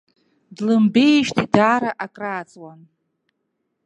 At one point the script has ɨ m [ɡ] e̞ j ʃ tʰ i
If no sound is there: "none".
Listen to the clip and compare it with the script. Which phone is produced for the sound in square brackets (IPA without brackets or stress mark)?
b